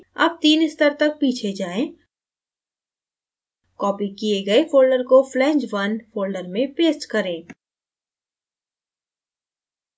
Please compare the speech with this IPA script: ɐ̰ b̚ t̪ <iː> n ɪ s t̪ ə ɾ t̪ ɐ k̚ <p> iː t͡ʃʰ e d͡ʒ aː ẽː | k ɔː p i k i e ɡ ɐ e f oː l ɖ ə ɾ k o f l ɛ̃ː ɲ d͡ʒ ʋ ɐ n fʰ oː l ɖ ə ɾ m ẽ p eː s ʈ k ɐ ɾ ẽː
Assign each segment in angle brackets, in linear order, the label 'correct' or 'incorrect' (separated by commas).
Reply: correct, correct